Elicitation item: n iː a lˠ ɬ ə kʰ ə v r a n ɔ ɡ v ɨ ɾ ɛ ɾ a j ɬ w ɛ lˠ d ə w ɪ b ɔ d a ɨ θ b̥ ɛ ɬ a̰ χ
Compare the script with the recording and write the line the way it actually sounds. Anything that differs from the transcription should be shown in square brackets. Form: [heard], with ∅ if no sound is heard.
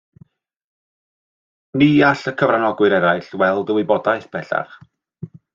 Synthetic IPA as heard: n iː a [∅] ɬ ə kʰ ə v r a n ɔ ɡ [w] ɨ ɾ ɛ ɾ a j ɬ w ɛ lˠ d ə w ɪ b ɔ d a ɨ θ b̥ ɛ ɬ a̰ χ